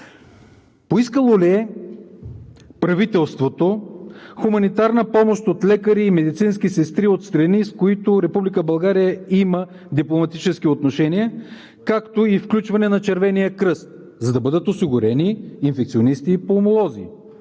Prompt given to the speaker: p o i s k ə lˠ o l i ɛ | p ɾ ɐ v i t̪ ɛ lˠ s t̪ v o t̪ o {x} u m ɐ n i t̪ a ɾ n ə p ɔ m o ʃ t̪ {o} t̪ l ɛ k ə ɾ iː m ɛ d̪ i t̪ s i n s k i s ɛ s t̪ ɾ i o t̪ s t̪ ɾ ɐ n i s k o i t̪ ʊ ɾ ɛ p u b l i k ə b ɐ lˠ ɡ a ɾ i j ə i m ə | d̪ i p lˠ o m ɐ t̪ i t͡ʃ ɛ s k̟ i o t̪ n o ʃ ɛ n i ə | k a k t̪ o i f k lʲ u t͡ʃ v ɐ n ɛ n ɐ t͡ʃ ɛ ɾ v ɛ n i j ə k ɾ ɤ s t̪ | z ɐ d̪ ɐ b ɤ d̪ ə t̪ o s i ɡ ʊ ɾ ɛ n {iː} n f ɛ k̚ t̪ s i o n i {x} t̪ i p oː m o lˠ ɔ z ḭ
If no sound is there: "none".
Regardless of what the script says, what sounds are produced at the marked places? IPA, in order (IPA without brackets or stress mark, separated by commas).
x, o, iː, s